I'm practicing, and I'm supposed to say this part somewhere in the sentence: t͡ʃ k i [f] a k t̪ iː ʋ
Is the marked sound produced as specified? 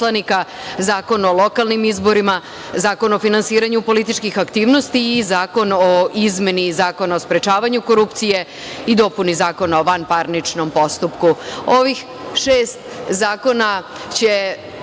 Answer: no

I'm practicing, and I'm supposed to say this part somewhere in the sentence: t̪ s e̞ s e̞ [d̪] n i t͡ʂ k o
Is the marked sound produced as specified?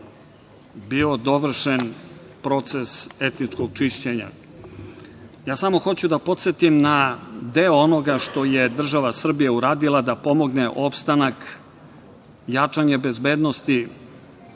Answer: no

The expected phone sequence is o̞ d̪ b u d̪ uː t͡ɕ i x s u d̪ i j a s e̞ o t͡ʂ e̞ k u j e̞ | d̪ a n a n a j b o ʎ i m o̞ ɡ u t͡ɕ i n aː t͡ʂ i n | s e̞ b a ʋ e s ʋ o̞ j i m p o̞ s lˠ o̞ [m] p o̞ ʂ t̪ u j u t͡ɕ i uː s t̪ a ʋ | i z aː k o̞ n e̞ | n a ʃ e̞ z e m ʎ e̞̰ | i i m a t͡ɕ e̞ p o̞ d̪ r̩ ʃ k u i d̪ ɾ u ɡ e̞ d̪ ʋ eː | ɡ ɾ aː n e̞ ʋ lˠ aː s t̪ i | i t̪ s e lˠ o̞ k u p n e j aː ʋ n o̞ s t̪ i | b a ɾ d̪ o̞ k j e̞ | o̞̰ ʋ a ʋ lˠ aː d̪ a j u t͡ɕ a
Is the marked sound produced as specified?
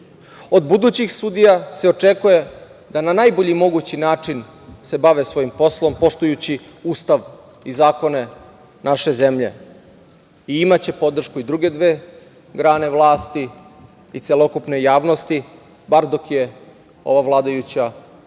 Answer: yes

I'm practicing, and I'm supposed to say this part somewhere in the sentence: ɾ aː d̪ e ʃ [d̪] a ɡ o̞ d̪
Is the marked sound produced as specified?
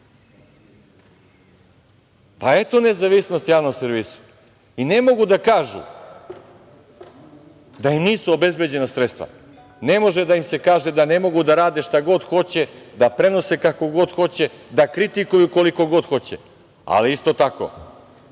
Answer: no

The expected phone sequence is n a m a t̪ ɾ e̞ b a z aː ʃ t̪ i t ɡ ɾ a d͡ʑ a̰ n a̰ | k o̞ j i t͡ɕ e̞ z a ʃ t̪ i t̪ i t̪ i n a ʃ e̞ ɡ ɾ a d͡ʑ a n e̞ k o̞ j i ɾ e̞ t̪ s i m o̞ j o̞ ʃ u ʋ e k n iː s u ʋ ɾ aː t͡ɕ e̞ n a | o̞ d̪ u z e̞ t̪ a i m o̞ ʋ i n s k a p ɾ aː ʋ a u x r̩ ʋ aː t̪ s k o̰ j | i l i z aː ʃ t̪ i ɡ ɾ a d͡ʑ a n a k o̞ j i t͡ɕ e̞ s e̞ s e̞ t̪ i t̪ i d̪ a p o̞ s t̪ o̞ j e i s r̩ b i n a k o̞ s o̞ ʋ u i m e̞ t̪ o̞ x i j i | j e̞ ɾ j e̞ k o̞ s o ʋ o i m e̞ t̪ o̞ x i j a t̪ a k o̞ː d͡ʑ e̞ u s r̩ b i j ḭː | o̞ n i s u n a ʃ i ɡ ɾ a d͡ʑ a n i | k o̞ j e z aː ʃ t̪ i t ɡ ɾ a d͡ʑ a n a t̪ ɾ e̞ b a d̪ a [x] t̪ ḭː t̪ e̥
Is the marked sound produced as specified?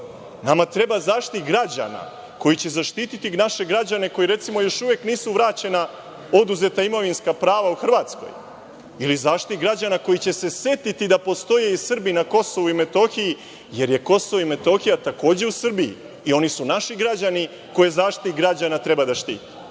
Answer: no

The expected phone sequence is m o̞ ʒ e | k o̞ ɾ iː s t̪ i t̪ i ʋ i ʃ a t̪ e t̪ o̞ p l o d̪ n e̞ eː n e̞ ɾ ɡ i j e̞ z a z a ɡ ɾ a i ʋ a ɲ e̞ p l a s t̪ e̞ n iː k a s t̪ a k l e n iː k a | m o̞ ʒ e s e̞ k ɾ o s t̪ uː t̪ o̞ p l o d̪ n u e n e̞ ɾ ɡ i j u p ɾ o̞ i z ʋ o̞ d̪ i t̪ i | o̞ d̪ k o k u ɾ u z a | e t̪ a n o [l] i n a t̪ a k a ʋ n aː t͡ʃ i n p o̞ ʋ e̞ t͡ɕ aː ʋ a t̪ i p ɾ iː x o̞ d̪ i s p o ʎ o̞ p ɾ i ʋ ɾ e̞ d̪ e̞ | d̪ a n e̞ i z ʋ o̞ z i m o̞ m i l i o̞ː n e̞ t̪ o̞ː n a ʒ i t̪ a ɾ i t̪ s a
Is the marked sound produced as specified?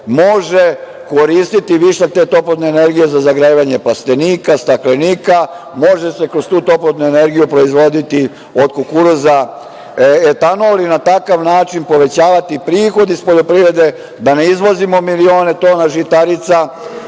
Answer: yes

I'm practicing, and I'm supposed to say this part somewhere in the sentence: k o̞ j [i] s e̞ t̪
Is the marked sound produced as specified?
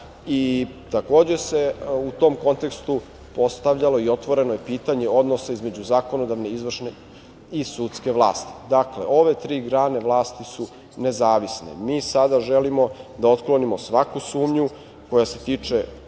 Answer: no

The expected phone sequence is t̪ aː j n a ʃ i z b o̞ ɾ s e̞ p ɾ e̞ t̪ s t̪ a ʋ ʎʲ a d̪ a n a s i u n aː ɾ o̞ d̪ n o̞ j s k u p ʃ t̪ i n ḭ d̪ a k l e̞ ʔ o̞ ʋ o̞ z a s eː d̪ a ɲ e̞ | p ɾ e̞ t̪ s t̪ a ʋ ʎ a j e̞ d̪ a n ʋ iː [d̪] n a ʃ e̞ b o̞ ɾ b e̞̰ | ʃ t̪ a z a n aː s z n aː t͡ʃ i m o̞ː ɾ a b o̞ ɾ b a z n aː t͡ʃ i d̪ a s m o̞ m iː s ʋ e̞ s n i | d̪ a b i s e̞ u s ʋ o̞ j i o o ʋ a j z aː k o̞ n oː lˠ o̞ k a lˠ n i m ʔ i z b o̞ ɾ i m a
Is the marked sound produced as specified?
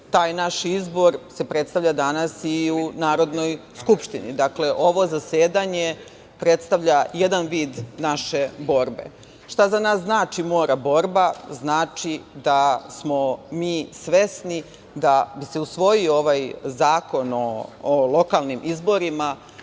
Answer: yes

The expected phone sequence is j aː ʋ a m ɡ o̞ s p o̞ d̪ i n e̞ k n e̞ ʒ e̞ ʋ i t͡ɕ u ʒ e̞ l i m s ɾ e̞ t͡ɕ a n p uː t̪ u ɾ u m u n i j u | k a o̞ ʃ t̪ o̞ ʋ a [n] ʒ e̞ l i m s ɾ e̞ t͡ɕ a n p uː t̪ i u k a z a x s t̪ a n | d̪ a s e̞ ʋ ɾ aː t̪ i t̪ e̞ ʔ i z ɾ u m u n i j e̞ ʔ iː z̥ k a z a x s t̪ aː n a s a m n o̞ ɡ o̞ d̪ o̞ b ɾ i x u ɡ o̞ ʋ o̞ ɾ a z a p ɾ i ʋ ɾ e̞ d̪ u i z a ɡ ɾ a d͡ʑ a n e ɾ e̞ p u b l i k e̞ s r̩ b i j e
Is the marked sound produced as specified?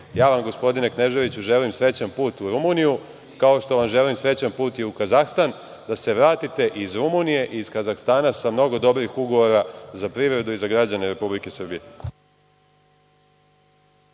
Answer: no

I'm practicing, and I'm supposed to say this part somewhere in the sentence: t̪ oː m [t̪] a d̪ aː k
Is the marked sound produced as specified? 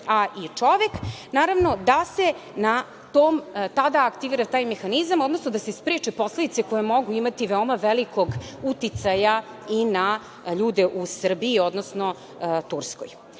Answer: yes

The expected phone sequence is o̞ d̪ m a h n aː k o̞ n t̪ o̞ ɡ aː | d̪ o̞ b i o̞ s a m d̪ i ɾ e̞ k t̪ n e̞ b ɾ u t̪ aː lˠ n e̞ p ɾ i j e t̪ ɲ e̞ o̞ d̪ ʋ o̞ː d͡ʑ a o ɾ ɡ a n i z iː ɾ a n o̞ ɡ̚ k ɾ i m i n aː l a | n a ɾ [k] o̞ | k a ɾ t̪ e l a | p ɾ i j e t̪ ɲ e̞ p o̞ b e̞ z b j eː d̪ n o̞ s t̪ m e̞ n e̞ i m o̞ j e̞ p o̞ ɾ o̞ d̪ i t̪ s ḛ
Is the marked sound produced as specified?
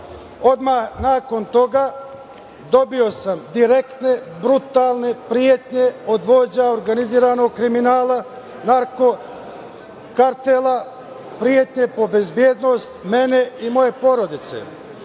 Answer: yes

